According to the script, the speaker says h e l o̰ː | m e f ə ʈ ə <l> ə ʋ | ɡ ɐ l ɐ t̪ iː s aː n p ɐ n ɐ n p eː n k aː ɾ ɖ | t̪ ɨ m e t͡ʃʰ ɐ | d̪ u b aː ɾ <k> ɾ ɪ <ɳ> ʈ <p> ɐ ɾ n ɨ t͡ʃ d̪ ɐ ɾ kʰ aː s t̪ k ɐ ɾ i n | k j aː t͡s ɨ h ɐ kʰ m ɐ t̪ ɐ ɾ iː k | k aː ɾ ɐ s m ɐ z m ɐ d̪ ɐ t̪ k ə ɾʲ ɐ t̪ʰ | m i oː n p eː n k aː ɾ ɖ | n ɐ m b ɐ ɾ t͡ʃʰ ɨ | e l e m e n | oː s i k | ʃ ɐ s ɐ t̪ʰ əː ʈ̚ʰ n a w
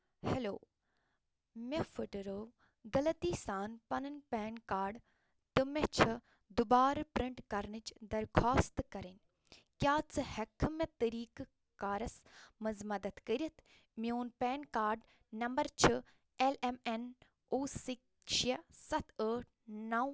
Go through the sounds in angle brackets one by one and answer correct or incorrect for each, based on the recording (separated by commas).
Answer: incorrect, incorrect, correct, incorrect